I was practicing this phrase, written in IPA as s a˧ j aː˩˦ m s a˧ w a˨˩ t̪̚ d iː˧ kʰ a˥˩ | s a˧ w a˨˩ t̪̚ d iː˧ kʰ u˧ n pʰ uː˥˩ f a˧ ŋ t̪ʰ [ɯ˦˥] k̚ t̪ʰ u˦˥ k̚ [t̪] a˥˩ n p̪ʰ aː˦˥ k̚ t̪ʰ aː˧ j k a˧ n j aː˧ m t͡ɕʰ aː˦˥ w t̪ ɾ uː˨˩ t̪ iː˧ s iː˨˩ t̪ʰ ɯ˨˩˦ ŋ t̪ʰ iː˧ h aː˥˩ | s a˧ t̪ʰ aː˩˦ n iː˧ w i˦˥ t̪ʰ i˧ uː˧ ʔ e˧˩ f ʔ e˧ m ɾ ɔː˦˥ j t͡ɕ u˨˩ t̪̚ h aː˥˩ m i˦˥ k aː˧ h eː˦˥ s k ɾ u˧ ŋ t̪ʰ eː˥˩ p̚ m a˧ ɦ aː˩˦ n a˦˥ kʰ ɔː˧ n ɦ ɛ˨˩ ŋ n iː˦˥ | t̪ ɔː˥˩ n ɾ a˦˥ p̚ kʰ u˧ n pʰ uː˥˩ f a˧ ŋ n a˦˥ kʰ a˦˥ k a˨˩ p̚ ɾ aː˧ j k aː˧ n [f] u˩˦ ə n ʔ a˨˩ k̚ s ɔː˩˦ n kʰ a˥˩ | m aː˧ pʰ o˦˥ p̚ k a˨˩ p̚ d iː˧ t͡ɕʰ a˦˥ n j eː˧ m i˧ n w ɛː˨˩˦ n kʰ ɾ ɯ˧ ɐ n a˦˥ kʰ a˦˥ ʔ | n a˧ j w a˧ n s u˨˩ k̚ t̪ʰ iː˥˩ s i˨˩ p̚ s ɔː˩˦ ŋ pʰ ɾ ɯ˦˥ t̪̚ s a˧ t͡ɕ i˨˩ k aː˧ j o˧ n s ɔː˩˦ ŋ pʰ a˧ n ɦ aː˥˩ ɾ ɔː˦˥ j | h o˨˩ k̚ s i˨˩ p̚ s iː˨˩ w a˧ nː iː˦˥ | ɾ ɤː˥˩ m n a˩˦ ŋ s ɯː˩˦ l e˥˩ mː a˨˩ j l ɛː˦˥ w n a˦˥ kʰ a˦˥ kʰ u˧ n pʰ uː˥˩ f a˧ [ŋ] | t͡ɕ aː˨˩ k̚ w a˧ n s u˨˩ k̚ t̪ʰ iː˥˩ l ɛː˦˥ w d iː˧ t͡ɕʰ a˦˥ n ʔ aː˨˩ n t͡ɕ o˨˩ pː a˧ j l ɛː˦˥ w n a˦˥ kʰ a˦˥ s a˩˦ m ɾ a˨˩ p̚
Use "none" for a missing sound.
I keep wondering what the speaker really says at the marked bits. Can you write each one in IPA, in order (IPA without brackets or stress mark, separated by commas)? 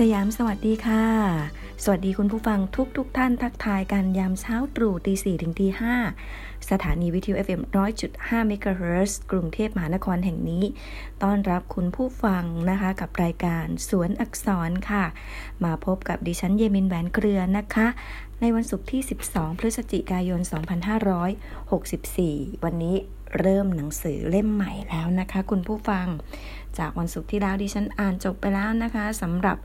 u˦˥, t̪ʰ, s, ŋ